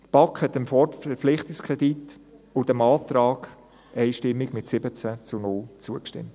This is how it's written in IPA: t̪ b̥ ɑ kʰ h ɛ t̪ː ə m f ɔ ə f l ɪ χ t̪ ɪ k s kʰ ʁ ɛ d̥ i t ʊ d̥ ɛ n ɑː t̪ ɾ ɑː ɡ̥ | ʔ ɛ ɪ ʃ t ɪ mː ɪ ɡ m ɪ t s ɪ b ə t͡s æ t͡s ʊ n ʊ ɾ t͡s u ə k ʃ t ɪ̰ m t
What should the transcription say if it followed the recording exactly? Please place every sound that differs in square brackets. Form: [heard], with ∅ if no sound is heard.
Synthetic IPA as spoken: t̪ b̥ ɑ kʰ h ɛ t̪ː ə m f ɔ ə f l ɪ χ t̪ ɪ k s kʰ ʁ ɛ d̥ i t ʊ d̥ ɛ [m] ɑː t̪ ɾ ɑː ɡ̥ | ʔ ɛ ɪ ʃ t ɪ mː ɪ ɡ m ɪ t s ɪ b ə t͡s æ t͡s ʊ n ʊ [l] t͡s u ə k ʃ t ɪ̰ m t